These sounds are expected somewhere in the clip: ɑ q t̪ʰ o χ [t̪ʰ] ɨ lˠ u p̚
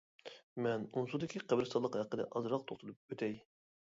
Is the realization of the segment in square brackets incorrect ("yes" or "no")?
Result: yes